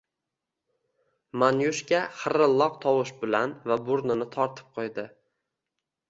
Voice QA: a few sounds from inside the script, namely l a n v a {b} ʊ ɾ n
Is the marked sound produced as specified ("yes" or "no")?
yes